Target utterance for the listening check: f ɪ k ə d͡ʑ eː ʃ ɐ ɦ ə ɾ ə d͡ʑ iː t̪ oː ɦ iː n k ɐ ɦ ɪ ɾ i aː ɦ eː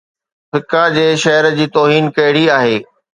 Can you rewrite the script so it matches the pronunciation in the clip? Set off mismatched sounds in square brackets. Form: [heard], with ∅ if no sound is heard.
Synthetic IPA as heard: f ɪ k [a] d͡ʑ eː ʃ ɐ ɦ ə ɾ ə d͡ʑ iː t̪ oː ɦ iː n k ɐ ɦ ɪ [ɽ] i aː ɦ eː